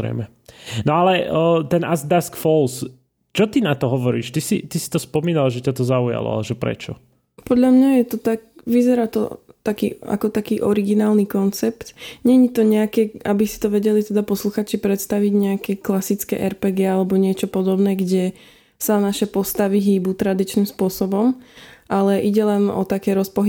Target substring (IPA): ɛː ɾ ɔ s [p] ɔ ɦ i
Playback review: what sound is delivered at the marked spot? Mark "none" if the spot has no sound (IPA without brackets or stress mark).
p